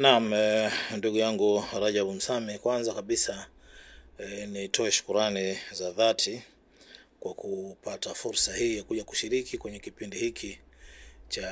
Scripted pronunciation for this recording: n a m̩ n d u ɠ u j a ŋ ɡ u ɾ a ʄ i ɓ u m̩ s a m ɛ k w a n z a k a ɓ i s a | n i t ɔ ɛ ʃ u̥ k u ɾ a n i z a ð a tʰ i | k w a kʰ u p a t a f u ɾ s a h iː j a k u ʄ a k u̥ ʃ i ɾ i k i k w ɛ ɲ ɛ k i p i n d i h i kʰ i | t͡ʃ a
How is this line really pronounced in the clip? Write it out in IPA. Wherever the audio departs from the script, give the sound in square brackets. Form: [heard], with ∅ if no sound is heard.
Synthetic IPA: n a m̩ n d u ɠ u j a ŋ ɡ u ɾ a ʄ [a] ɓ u m̩ s a m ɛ k w a n z a k a ɓ i s a | n i t ɔ ɛ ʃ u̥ k u ɾ a n i z a ð a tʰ i | k w a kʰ u p a t a f u ɾ s a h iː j a k u ʄ a k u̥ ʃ i ɾ i k i k w ɛ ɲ ɛ k i p i n d i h i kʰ i | t͡ʃ a